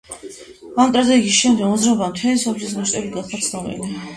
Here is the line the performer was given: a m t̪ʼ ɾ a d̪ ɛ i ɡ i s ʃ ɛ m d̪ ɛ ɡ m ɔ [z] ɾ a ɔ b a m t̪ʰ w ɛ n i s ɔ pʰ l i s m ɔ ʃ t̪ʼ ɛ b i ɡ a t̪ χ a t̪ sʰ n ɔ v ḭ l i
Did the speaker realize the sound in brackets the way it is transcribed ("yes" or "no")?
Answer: yes